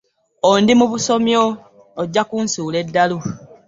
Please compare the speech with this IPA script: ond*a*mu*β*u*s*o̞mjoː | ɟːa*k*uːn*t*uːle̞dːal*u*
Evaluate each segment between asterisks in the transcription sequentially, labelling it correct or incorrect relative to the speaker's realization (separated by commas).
incorrect, correct, correct, correct, incorrect, correct